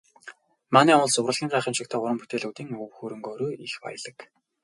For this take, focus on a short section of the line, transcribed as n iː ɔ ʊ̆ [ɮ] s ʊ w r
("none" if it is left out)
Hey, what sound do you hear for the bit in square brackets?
ɮ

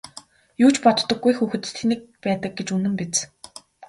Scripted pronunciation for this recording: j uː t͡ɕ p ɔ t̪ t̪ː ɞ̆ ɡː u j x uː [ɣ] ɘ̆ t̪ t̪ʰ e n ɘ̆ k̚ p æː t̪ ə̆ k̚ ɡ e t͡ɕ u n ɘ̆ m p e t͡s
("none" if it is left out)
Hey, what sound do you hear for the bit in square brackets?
x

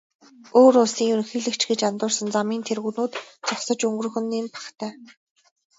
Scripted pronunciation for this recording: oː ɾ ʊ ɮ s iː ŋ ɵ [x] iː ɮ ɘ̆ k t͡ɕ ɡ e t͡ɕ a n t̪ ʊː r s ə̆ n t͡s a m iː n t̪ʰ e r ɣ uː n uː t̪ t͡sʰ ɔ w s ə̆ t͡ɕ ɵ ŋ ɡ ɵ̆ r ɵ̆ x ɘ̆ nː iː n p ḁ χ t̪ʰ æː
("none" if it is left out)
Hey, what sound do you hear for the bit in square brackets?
x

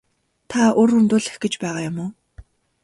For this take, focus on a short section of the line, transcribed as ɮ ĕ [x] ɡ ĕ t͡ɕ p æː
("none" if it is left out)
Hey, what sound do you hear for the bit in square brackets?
x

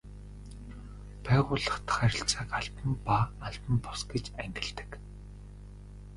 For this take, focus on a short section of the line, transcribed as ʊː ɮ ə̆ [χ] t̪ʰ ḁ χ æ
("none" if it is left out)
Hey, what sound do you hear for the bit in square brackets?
χ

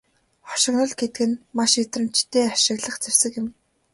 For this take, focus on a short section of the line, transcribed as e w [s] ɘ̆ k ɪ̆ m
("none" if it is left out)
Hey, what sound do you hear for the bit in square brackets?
s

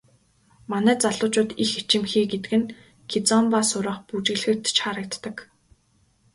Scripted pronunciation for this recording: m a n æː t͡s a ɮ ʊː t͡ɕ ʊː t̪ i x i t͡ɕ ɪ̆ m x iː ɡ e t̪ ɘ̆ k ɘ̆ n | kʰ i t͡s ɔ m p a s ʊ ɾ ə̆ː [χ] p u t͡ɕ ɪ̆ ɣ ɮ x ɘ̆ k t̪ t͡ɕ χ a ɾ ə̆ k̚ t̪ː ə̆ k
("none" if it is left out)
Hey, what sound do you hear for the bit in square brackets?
χ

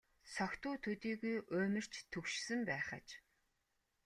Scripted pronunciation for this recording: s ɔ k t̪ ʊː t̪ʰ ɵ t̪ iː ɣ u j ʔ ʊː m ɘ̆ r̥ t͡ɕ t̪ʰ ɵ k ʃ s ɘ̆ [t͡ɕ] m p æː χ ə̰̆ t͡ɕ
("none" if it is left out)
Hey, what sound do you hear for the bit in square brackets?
none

